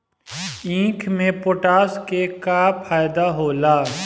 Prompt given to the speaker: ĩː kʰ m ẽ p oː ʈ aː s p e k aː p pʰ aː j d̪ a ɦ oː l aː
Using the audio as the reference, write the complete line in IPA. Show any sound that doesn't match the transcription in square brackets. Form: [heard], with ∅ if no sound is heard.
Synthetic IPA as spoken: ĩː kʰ m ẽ p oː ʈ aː s [k] e k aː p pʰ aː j d̪ a ɦ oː l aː